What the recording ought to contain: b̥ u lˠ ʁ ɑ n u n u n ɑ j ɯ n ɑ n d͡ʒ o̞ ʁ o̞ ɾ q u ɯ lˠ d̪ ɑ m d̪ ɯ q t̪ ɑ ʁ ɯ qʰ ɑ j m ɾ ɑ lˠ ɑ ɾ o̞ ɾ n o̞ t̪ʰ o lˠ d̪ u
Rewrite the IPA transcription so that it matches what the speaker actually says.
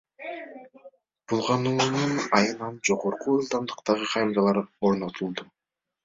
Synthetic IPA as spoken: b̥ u lˠ ʁ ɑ n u n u n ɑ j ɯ n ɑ n d͡ʒ o̞ ʁ o̞ ɾ q u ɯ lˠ d̪ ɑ m d̪ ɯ q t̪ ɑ ʁ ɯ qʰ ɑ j m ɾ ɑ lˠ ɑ ɾ o̞ ɾ n o̞ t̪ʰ u lˠ d̪ u